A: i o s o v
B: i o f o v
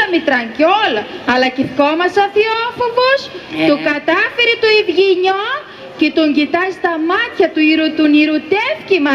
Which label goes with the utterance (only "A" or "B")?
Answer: B